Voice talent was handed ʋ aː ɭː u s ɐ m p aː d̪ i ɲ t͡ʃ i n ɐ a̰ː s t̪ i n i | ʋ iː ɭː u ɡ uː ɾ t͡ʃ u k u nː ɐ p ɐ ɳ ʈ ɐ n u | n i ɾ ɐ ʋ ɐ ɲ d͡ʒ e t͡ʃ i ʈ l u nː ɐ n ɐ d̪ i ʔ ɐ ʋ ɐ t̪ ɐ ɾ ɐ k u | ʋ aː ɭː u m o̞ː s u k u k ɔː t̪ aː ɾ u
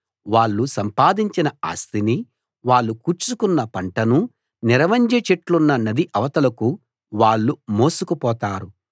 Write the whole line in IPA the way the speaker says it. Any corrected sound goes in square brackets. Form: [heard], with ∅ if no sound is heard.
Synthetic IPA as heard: ʋ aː ɭː u s ɐ m p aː d̪ i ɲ t͡ʃ i n ɐ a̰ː s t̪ i n i | ʋ [aː] ɭː u [k] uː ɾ t͡ʃ u k u nː ɐ p ɐ ɳ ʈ ɐ n u | n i ɾ ɐ ʋ ɐ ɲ d͡ʒ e t͡ʃ [e] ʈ l u nː ɐ n ɐ d̪ i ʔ ɐ ʋ ɐ t̪ ɐ [l] ɐ k u | ʋ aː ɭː u m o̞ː s u k u [p] ɔː t̪ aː ɾ u